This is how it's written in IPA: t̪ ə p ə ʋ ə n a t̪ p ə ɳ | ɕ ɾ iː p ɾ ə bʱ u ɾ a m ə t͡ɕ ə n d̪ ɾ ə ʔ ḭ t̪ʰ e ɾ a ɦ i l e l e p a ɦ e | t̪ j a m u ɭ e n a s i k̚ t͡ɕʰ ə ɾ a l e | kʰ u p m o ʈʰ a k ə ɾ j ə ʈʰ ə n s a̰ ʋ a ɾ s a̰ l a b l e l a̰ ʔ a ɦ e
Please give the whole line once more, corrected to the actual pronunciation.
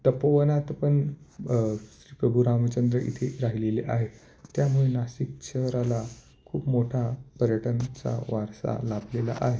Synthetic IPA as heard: t̪ ə p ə ʋ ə n a t̪ p ə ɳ | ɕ ɾ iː p ɾ ə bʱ u ɾ a m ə t͡ɕ ə n d̪ ɾ ə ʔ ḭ t̪ʰ e ɾ a ɦ i l e l e ʔ a ɦ e | t̪ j a m u ɭ e n a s i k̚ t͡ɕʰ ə ɾ a l a | kʰ uː p m o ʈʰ a p ə ɾ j ə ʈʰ ə n t͡s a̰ ʋ a ɾ s a̰ l a b l e l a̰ ʔ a ɦ e